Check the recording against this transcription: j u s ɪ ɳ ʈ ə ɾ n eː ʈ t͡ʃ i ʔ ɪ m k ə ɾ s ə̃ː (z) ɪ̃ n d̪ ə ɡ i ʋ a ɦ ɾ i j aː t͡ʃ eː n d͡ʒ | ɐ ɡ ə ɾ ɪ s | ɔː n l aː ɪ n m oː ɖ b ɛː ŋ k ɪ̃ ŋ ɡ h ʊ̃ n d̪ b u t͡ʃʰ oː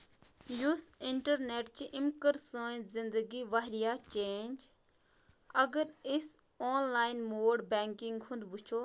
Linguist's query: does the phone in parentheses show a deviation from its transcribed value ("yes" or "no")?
no